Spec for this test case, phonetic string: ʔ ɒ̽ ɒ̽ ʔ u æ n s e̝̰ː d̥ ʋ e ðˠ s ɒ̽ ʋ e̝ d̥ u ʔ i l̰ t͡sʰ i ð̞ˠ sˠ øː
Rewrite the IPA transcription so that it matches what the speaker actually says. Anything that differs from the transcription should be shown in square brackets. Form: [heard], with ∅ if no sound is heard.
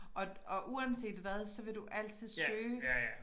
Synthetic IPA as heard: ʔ ɒ̽ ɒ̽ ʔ u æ n s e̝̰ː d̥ ʋ [æ] ðˠ s ɒ̽ ʋ e̝ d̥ u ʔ [æ] l̰ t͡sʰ i ð̞ˠ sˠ øː